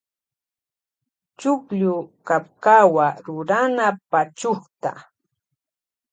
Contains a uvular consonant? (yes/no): yes